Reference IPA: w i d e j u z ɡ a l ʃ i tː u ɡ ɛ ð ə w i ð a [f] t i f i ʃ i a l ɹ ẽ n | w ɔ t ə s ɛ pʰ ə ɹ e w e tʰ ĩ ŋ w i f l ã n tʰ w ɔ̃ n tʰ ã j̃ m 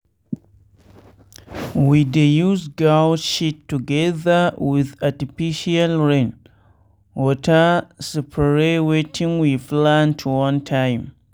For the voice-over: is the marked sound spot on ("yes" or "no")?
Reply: no